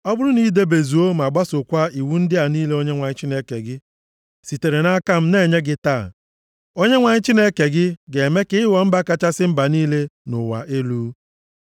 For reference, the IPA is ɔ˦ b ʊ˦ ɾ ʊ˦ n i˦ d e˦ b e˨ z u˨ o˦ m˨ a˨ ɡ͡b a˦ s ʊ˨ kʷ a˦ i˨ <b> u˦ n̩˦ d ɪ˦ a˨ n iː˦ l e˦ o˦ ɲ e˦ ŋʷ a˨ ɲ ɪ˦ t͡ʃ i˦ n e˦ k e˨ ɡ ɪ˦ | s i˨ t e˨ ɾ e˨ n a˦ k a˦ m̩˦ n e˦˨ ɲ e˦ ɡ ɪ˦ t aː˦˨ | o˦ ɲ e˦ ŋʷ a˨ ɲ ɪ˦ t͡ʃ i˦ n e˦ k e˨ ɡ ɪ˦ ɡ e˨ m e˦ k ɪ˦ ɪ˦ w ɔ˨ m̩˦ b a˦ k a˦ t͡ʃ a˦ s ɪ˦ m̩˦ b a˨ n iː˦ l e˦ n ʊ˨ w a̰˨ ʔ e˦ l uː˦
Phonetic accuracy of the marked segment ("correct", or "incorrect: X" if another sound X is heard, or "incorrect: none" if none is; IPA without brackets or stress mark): incorrect: w